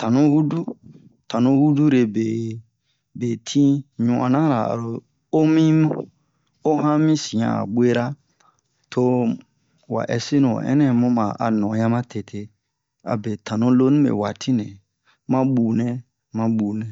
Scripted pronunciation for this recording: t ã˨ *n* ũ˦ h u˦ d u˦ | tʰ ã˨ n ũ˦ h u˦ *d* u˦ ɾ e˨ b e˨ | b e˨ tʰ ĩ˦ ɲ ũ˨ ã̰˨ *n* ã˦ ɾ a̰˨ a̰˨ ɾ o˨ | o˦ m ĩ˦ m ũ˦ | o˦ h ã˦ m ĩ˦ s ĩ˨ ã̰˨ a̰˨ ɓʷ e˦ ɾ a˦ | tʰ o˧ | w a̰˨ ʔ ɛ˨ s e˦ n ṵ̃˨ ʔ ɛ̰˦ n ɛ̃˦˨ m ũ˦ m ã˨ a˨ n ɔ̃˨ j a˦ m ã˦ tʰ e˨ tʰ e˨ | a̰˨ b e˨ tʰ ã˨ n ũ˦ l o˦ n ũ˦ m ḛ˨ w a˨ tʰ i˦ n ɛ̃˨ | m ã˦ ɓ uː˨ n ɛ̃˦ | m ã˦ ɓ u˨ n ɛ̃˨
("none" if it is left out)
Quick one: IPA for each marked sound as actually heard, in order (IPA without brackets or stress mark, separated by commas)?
n, d, n